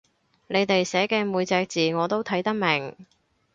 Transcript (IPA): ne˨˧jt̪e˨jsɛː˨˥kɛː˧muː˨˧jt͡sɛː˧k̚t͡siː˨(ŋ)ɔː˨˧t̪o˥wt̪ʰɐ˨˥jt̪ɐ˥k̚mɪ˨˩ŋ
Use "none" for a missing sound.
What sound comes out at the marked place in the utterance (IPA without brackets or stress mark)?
ŋ